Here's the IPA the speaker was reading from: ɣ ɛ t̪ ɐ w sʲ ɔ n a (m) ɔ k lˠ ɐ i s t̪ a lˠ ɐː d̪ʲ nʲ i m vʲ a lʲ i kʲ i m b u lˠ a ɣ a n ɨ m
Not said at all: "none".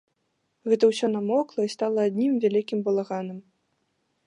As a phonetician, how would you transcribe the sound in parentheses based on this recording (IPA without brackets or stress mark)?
m